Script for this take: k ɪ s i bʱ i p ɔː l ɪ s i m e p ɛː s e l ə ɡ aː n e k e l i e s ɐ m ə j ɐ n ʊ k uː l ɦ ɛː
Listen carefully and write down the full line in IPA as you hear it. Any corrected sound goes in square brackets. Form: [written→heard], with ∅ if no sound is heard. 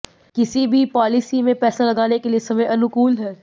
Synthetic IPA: k ɪ s i bʱ i p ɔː l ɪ s i m [e→ẽ] p ɛː s [e→a] l [ə→ɐ] ɡ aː n e k e l i e s ɐ m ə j ɐ n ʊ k uː l ɦ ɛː

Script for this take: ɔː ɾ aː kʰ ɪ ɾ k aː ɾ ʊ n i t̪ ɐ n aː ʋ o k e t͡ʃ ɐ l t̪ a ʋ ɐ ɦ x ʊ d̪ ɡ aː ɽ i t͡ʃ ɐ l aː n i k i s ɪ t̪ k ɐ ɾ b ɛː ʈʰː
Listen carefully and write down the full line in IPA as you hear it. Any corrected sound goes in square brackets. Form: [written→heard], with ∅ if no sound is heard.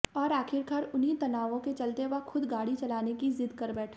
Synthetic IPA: ɔː ɾ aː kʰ ɪ ɾ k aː ɾ ʊ n i t̪ ɐ n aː ʋ [o→õ] k e t͡ʃ ɐ l t̪ [a→e] ʋ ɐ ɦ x ʊ d̪ ɡ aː ɽ i t͡ʃ ɐ l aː n [i→e] k i [s→z] ɪ [t̪→d̪] k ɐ ɾ b ɛː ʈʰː

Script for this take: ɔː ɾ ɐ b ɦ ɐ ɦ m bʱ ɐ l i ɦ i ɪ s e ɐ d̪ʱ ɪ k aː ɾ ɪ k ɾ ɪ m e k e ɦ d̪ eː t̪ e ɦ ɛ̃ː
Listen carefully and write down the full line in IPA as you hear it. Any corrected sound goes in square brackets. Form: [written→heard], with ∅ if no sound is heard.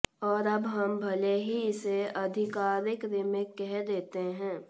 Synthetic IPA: ɔː ɾ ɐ b ɦ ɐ [ɦ→∅] m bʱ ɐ l [i→e] ɦ i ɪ s e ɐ d̪ʱ ɪ k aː ɾ ɪ k ɾ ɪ m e k [e→ɛ] ɦ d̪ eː t̪ e ɦ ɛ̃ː

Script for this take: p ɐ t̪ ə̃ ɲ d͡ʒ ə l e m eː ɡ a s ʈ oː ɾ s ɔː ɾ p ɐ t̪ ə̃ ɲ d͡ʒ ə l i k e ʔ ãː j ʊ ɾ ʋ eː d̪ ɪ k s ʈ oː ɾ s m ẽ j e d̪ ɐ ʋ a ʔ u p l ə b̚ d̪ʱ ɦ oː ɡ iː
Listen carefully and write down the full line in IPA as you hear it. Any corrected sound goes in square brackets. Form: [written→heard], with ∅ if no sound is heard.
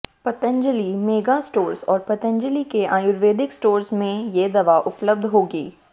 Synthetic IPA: p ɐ t̪ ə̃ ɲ d͡ʒ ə l [e→i] m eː ɡ a s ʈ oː ɾ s ɔː ɾ p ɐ t̪ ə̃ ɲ d͡ʒ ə l i k e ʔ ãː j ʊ ɾ ʋ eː d̪ ɪ k s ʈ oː ɾ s m ẽ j e d̪ ɐ ʋ a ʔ [u→ʊ] p l ə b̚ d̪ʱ ɦ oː ɡ iː

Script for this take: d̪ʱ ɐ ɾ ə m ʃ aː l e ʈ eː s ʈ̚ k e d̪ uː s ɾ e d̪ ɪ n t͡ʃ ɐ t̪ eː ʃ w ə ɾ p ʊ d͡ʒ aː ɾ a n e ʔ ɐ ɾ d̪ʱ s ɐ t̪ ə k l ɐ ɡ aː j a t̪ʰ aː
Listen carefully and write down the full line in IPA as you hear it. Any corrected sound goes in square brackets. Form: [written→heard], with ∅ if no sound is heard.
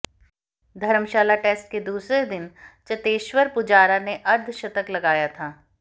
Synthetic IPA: d̪ʱ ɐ ɾ ə m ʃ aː l [e→a] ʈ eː s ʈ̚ k e d̪ uː s ɾ e d̪ ɪ n t͡ʃ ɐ t̪ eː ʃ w ə ɾ p ʊ d͡ʒ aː ɾ a n e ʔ ɐ ɾ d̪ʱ [s→ʃ] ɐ t̪ ə k l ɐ ɡ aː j a t̪ʰ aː

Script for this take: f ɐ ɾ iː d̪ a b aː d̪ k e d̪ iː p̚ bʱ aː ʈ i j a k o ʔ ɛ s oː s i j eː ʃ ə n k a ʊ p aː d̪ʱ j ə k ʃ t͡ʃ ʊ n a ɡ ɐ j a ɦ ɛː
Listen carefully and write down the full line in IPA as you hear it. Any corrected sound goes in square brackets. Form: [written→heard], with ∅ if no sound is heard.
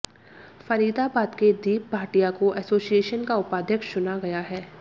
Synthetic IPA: f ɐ ɾ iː d̪ a b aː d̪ k e d̪ iː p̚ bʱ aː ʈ i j a k o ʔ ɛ s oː s i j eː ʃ ə n k a ʊ p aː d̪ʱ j ə k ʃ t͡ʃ ʊ n a ɡ ɐ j a ɦ ɛː

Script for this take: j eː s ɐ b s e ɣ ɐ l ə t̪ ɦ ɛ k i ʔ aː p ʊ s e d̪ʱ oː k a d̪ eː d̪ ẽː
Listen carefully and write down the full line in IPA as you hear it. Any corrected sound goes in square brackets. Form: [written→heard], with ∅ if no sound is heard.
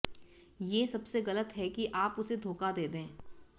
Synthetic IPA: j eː s ɐ b s e ɣ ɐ l ə t̪ ɦ ɛ k i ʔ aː p ʊ s e d̪ʱ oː k a d̪ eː d̪ ẽː

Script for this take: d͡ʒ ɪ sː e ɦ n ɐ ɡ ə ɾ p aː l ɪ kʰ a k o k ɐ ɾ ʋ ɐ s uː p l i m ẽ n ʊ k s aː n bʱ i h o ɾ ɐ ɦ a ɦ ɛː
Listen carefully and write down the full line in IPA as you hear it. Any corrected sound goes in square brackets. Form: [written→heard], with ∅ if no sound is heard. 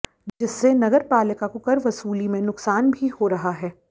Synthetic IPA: d͡ʒ ɪ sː e [ɦ→∅] n ɐ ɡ ə ɾ p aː l ɪ [kʰ→k] a k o k ɐ ɾ ʋ ɐ s uː [p→∅] l i m ẽ n ʊ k s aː n bʱ i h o ɾ ɐ ɦ a ɦ ɛː

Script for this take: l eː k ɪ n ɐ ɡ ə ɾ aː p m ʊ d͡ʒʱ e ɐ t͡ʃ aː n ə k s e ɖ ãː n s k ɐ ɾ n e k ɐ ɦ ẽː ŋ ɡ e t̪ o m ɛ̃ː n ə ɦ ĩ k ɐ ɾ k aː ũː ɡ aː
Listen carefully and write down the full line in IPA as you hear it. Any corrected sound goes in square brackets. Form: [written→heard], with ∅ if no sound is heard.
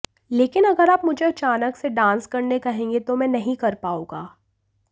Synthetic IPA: l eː k ɪ n ɐ ɡ ə ɾ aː p m ʊ d͡ʒʱ e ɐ t͡ʃ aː n ə k s e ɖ ãː n s k ɐ ɾ n e k ɐ ɦ ẽː ŋ ɡ e t̪ o m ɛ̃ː n [ə→ɐ] ɦ ĩ k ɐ ɾ [k→p] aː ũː ɡ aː

